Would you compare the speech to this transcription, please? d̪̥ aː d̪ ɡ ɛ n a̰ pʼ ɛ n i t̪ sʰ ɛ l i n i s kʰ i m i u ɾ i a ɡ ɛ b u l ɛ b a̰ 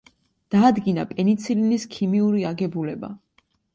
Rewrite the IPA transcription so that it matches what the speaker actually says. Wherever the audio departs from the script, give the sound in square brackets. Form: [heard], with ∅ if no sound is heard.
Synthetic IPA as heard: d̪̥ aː d̪ ɡ [i] n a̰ pʼ ɛ n i t̪ sʰ [i] l i n i s kʰ i m i u ɾ i a ɡ ɛ b u l ɛ b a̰